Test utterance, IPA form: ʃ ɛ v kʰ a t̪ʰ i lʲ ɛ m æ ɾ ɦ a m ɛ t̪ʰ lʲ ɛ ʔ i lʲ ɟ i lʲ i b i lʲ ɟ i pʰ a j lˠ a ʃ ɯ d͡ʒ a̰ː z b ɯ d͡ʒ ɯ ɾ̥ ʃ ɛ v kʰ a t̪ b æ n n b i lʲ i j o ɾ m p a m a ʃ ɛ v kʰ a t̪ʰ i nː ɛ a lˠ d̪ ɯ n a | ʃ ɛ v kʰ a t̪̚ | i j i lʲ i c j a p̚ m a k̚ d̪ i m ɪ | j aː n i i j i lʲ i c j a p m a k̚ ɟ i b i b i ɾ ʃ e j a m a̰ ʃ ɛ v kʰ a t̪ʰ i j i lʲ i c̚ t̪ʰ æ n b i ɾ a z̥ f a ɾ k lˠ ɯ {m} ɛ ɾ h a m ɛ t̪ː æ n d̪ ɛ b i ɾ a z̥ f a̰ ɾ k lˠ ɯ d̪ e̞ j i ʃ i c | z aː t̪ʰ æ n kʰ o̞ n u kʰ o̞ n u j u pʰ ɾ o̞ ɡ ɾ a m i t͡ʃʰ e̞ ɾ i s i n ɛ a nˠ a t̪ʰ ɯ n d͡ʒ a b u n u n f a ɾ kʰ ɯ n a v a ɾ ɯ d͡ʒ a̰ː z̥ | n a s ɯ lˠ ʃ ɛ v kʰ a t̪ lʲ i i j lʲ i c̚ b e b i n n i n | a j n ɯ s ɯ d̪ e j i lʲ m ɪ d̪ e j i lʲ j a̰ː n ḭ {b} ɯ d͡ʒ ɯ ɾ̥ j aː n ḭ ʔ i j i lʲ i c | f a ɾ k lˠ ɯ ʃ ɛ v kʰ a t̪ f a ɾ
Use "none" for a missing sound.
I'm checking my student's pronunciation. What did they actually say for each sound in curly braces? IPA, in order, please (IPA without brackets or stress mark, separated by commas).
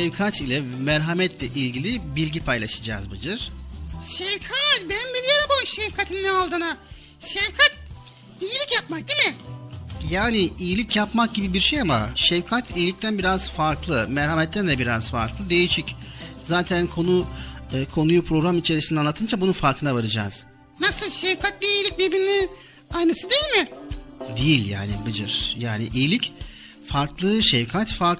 m, b